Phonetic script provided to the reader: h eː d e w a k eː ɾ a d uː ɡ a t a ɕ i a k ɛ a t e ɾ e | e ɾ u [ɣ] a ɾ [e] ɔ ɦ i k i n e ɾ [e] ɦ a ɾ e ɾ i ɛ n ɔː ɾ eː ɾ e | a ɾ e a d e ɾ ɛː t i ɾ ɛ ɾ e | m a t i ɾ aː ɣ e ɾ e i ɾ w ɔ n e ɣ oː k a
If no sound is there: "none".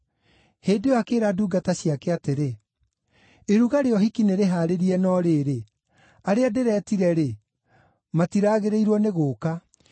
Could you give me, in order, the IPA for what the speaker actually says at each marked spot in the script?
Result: ɣ, e, e

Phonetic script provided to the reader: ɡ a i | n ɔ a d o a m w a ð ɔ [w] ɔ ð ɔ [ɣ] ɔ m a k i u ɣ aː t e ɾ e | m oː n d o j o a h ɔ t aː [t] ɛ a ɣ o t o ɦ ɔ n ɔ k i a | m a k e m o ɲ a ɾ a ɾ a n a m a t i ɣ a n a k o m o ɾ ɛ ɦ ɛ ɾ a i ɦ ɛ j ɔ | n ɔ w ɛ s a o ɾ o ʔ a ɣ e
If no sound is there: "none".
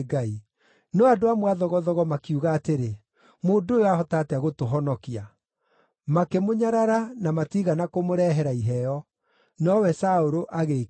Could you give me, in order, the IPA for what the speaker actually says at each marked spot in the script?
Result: ɣ, ɣ, t

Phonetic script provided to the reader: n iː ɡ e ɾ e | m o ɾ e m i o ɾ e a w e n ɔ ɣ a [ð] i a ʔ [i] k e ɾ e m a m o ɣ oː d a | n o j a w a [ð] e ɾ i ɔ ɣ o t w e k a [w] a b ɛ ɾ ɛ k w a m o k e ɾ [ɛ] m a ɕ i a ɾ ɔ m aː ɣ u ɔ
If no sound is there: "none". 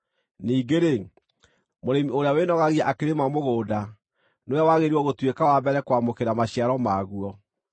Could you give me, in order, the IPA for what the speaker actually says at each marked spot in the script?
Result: ɣ, a, ɣ, w, a

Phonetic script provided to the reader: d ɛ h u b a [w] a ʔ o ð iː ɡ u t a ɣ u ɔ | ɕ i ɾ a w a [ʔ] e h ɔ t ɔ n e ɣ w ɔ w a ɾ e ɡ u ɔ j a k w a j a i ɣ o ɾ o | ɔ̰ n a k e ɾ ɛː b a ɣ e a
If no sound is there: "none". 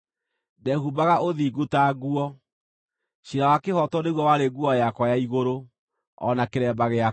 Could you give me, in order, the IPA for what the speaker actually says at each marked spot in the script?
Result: ɣ, k

